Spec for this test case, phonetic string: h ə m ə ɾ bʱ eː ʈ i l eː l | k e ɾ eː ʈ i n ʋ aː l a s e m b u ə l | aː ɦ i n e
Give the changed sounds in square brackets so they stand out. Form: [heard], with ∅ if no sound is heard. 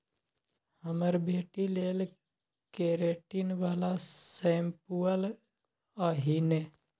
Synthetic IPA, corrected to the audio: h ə m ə ɾ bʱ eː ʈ i l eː l | k e ɾ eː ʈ i n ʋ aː l a s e m [p] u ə l | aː ɦ i n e